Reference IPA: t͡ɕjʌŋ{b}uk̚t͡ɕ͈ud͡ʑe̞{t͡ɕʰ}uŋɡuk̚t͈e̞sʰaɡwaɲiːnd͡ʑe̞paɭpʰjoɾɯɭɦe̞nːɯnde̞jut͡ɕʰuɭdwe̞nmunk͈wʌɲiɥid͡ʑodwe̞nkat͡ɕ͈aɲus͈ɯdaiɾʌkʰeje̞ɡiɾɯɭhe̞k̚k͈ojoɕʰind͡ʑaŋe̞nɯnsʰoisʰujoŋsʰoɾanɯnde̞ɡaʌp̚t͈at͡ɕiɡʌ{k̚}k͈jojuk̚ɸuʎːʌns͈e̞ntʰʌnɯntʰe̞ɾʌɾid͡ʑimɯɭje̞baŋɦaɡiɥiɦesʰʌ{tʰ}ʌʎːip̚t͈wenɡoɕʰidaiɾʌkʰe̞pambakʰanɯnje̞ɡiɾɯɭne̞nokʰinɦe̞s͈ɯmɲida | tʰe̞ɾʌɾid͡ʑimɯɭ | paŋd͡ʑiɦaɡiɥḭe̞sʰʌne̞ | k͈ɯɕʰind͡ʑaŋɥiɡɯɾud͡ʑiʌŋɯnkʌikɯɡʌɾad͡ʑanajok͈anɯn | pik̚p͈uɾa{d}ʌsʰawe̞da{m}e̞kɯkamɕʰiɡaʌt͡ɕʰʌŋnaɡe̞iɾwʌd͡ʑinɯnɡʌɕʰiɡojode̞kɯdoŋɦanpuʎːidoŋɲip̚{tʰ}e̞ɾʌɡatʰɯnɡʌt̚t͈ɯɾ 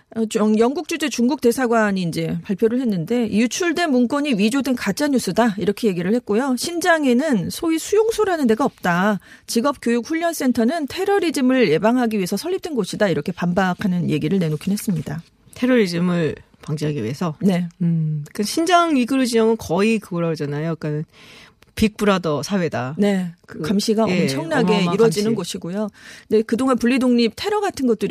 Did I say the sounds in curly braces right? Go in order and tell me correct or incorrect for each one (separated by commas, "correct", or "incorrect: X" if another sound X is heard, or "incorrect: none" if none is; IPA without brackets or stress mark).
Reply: incorrect: ɡ, incorrect: t͡ɕ, incorrect: p̚, incorrect: sʰ, correct, incorrect: n, correct